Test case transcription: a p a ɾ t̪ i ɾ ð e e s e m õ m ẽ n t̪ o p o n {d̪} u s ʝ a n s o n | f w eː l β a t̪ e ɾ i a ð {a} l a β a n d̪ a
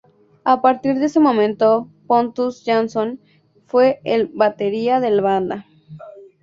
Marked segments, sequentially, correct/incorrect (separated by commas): incorrect, incorrect